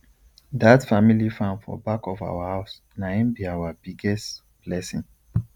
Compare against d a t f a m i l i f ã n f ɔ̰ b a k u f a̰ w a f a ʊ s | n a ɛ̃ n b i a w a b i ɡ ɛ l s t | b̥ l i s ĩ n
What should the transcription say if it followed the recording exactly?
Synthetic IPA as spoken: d a t f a m i l i f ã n f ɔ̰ b a k ɔ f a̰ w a h a ʊ s | n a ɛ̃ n b i a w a b i ɡ ɛ s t | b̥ l ɛ s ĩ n